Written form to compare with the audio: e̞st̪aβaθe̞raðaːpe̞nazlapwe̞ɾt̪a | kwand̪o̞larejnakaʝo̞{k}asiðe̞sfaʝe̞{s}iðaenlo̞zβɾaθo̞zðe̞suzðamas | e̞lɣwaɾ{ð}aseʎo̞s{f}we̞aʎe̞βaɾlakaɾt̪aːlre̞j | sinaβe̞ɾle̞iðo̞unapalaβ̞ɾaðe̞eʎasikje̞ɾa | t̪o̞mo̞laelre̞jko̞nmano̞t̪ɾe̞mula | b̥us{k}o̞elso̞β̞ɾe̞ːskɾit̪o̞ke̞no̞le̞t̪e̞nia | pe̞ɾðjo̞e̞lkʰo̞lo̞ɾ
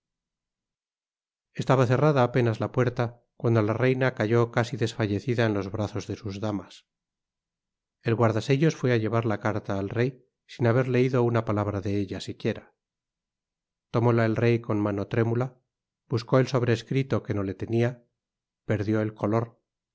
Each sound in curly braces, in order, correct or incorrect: correct, incorrect: θ, correct, correct, correct

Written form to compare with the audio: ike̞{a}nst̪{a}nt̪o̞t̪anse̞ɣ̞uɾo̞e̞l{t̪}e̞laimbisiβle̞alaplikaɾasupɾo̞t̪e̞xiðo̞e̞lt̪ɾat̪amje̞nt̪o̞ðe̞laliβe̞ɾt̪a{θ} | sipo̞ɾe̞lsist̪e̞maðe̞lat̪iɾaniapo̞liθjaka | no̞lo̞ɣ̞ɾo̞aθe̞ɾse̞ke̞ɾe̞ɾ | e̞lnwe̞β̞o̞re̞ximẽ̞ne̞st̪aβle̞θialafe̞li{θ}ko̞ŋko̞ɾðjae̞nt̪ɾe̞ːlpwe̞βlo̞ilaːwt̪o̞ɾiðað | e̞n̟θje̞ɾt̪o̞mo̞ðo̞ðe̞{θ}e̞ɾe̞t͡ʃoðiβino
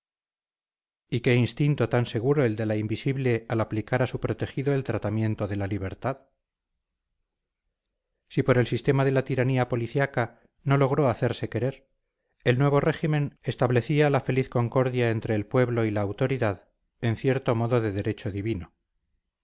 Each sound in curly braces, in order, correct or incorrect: incorrect: i, incorrect: i, incorrect: d̪, incorrect: ð, correct, incorrect: ð

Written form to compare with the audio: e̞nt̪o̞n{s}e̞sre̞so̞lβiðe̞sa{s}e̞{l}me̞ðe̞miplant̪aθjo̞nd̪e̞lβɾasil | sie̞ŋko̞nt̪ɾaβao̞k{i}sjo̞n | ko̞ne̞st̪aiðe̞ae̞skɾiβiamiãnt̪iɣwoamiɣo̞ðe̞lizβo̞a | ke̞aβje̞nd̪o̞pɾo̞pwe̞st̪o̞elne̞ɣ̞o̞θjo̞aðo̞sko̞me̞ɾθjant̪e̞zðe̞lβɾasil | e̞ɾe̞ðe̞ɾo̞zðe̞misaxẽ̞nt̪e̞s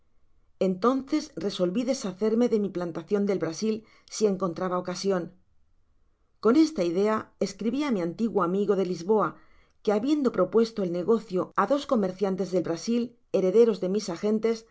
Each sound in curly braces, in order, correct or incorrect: incorrect: θ, incorrect: θ, incorrect: ɾ, incorrect: a

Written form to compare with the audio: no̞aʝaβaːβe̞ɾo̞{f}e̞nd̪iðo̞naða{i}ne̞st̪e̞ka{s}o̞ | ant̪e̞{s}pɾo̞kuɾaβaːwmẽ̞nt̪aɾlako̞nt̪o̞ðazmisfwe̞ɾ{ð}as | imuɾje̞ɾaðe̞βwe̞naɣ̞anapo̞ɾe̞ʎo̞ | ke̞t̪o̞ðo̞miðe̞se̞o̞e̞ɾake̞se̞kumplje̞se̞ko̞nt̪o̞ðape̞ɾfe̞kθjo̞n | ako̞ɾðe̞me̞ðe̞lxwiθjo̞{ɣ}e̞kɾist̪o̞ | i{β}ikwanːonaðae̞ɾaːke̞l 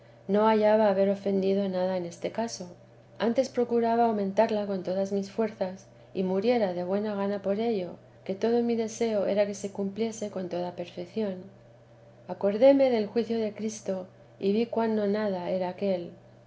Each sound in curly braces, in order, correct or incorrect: correct, incorrect: e, correct, correct, incorrect: θ, incorrect: ð, correct

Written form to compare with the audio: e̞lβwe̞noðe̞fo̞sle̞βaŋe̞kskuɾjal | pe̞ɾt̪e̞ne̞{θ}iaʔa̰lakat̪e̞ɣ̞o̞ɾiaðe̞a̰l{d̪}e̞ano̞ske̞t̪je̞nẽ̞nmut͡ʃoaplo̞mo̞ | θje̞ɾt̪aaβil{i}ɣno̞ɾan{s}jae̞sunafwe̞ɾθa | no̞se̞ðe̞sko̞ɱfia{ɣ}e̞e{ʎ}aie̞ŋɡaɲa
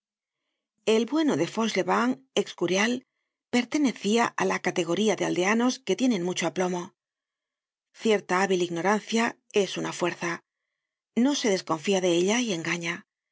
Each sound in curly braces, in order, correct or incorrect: correct, correct, correct, incorrect: θ, incorrect: ð, correct

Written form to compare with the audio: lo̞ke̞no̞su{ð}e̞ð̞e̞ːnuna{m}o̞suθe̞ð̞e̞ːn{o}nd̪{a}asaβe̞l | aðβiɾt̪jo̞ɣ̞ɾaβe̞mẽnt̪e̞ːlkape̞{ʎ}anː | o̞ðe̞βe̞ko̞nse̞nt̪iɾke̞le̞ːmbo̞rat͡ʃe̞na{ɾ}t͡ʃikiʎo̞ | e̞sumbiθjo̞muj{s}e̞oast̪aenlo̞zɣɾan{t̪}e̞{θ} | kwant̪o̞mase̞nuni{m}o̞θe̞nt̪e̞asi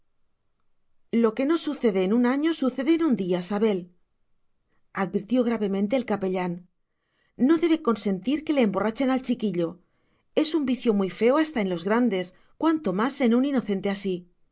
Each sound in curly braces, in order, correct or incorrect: incorrect: θ, incorrect: ɲ, incorrect: u, incorrect: i, correct, incorrect: l, incorrect: f, incorrect: d̪, incorrect: s, incorrect: n

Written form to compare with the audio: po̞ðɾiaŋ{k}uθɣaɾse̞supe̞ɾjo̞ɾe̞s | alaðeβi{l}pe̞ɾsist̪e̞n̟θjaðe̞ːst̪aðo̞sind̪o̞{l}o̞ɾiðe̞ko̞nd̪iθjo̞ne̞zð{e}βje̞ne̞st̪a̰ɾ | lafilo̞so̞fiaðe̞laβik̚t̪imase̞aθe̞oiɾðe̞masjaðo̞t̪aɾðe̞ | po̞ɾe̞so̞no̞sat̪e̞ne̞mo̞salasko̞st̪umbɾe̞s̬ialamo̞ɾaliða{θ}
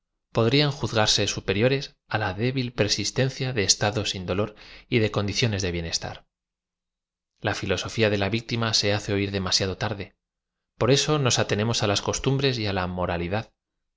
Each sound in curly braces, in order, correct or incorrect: incorrect: x, correct, correct, correct, incorrect: ð

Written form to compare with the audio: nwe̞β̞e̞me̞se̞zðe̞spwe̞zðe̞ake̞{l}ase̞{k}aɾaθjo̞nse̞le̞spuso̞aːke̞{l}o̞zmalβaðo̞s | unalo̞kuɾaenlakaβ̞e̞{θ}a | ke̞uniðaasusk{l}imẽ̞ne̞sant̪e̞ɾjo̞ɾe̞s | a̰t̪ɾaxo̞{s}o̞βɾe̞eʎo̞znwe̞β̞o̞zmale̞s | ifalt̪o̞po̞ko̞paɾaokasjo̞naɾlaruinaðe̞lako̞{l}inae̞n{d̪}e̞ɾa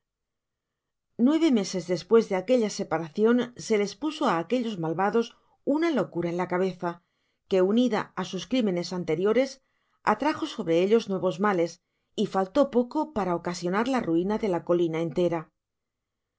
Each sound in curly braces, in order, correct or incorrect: incorrect: ʎ, incorrect: p, incorrect: ʎ, correct, incorrect: ɾ, correct, correct, incorrect: t̪

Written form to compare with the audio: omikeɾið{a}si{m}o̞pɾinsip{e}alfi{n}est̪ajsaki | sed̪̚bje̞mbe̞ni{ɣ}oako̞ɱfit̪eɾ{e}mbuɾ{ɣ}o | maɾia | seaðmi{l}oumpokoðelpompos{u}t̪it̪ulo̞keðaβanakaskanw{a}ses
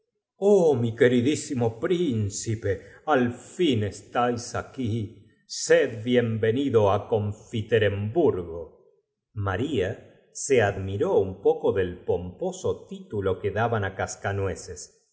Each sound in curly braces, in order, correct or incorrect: incorrect: i, correct, correct, correct, incorrect: ð, correct, correct, incorrect: ɾ, incorrect: o, incorrect: e

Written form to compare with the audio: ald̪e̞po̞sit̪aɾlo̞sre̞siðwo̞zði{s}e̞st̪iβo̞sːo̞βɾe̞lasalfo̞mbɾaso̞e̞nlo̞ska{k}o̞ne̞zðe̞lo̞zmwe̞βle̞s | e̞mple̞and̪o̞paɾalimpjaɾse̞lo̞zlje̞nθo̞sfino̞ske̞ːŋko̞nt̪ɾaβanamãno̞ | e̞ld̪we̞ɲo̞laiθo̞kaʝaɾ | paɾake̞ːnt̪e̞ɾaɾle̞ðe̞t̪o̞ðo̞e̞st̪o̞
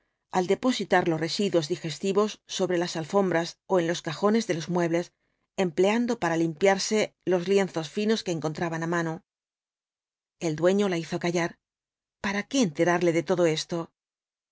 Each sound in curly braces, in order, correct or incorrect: incorrect: x, incorrect: x

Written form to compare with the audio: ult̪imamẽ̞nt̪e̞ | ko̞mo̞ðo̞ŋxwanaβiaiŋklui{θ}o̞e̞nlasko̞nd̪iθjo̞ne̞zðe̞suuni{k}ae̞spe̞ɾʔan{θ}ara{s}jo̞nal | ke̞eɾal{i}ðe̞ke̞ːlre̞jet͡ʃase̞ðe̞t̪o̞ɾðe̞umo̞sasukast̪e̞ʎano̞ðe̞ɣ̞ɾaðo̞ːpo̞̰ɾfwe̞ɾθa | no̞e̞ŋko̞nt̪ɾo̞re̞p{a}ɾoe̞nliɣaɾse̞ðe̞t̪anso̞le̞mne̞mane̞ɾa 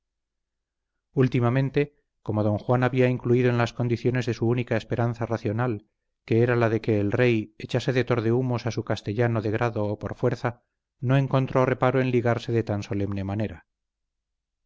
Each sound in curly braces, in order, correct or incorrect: incorrect: ð, correct, correct, incorrect: θ, incorrect: a, correct

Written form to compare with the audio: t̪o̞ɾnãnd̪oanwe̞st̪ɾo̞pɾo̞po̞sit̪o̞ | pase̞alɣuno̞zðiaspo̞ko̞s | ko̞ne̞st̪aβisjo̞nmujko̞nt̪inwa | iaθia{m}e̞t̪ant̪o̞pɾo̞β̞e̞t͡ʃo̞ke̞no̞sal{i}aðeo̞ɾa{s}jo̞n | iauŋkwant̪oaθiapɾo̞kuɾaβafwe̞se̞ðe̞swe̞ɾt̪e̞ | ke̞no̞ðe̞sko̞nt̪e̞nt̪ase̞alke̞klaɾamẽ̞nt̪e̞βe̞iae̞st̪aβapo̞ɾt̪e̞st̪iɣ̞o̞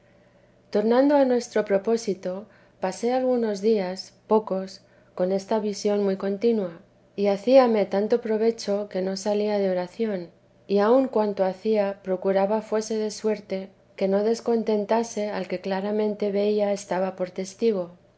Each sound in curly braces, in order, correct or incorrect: correct, correct, incorrect: θ

